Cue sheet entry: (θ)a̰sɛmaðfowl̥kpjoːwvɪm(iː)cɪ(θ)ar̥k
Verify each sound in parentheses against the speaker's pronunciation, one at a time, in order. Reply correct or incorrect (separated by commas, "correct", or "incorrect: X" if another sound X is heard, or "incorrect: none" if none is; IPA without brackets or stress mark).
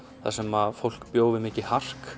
correct, incorrect: ɪː, incorrect: h